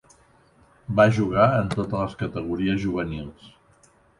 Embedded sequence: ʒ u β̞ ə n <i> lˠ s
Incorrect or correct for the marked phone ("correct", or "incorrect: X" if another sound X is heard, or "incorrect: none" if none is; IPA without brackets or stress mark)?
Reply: correct